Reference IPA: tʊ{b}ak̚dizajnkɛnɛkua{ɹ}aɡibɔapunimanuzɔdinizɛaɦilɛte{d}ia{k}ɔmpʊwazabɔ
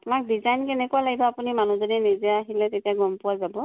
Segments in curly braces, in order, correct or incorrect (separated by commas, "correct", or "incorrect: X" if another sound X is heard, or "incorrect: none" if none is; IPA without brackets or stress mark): incorrect: m, incorrect: l, incorrect: t, incorrect: ɡ